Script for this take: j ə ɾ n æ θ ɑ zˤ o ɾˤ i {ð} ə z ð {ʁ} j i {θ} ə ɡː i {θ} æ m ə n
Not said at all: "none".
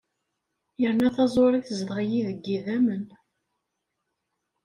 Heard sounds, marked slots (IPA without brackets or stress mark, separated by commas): θ, ʁ, ð, ð